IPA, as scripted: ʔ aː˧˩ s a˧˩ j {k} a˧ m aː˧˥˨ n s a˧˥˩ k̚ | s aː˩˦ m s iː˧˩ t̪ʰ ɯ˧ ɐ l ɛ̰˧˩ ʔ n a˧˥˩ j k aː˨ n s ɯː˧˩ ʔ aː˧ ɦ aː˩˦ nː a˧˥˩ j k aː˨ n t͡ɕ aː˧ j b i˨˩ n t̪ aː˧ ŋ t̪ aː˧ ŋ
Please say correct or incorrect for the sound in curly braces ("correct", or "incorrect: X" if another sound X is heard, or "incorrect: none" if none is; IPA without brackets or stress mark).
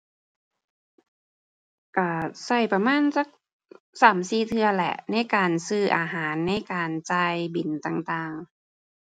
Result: incorrect: p